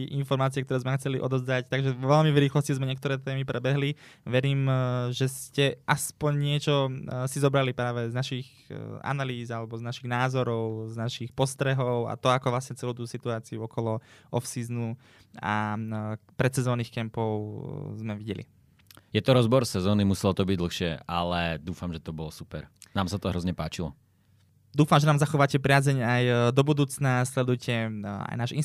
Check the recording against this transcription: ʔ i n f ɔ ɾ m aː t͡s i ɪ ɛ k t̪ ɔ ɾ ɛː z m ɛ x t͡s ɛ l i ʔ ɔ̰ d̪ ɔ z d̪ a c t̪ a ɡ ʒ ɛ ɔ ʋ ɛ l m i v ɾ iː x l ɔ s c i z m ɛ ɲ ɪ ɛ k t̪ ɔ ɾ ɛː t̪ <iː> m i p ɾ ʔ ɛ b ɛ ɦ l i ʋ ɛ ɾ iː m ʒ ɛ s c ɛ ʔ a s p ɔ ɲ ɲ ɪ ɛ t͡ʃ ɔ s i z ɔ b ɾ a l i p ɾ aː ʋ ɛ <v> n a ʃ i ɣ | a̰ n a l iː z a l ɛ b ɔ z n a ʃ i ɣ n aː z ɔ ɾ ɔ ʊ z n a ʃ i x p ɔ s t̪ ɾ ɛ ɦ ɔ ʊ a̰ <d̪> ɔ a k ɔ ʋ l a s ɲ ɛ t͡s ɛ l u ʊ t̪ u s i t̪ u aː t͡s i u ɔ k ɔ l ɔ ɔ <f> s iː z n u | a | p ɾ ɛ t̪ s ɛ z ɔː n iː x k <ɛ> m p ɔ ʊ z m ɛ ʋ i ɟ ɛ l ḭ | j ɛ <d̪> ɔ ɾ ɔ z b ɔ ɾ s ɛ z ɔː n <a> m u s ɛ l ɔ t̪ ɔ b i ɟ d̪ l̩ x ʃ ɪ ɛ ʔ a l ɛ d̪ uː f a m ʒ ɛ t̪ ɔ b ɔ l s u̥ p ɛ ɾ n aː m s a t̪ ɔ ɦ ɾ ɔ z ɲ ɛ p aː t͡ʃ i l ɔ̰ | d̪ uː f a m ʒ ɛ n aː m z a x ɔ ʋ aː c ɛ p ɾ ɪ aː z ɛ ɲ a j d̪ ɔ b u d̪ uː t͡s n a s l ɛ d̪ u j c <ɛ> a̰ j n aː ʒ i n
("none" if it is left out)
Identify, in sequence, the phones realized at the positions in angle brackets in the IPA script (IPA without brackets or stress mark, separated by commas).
ɛː, z, t̪, f, ɛ, t̪, i, ɛ